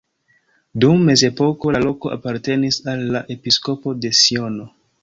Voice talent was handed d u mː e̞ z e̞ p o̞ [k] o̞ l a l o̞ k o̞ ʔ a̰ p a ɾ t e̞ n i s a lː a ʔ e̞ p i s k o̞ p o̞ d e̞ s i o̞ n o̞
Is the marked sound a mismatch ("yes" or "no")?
no